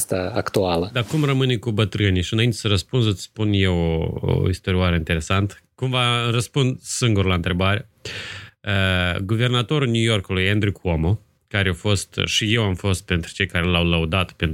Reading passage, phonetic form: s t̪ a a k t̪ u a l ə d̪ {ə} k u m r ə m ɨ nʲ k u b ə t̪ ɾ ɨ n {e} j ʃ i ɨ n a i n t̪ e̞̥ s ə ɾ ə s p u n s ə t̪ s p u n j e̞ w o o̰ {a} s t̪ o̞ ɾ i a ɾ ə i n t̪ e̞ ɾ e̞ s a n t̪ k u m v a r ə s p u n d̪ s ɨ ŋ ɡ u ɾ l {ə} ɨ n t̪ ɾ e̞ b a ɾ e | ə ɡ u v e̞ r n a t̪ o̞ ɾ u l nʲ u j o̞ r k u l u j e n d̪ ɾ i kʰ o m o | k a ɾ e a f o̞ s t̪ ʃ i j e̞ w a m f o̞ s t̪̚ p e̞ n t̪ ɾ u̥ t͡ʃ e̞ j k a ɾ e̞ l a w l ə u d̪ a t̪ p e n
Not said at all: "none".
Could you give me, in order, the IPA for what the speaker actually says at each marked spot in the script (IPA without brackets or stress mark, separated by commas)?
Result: a, i, i, a